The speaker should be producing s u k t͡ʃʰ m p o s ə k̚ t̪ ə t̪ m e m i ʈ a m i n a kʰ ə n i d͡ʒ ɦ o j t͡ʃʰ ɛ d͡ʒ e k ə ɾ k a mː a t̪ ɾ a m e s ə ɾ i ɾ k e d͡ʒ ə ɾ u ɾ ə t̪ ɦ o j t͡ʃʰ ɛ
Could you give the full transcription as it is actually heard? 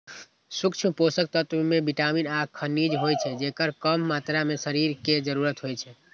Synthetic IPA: s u k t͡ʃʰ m p o s ə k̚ t̪ ə t̪ m e b i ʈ a m i n a kʰ ə n i d͡ʒ ɦ o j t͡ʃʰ ɛ d͡ʒ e k ə ɾ k ə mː a t̪ ɾ a m e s ə ɾ i ɾ k e d͡ʒ ə ɾ u ɾ ə t̪ ɦ o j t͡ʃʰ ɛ